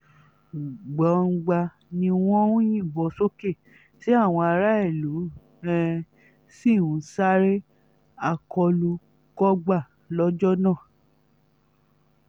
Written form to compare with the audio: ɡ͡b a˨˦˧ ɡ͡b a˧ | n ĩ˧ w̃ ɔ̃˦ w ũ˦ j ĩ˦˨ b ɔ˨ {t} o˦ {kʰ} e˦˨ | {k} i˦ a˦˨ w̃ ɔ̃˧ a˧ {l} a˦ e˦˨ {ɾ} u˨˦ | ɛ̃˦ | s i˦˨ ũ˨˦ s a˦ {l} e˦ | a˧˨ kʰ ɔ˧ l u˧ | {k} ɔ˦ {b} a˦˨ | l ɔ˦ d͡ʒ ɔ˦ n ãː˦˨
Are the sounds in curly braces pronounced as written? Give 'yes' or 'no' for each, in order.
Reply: no, no, no, no, no, no, yes, no

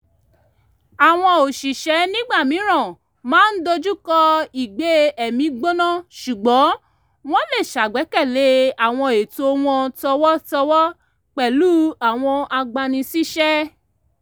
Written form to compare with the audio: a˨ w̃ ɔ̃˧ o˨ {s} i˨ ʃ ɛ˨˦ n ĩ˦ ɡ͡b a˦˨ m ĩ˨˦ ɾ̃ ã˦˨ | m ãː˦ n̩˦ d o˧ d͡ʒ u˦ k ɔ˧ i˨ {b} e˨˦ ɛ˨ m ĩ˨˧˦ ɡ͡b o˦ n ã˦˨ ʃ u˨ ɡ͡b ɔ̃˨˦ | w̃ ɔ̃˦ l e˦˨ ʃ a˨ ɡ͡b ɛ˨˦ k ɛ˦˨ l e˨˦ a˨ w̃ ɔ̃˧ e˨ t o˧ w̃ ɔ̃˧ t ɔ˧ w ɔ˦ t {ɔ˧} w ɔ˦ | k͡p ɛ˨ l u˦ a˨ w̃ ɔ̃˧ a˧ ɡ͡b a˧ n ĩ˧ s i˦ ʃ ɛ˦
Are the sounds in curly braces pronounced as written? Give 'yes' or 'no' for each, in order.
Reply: no, no, yes

